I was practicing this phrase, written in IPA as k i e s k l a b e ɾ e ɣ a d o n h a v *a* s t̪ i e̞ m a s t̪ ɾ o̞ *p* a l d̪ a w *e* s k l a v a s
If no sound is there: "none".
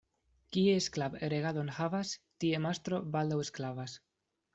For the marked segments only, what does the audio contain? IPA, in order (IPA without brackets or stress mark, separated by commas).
a, b, e